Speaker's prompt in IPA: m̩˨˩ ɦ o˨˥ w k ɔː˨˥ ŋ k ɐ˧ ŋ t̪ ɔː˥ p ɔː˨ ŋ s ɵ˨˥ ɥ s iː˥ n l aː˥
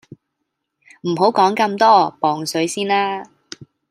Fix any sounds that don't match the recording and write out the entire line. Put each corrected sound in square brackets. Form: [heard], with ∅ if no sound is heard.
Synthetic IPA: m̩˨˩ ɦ o˨˥ w k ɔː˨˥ ŋ k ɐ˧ [m] t̪ ɔː˥ p ɔː˨ ŋ s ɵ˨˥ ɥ s iː˥ n l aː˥